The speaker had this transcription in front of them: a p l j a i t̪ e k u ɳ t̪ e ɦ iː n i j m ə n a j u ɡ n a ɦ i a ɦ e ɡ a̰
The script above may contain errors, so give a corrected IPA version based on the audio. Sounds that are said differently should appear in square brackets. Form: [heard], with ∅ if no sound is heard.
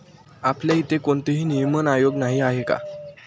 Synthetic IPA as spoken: a p l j a i t̪ e k [o] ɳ t̪ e ɦ iː n i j m ə n a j [o] ɡ n a ɦ i a ɦ e [k] a̰